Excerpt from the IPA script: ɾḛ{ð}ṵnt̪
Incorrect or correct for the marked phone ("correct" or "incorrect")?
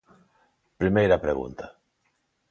incorrect